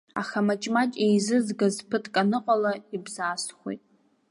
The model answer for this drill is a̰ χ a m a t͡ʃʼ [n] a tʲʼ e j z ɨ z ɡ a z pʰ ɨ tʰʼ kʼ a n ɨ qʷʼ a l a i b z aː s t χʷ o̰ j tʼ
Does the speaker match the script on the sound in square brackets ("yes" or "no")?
no